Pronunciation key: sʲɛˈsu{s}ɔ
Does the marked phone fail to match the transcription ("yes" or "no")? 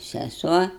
yes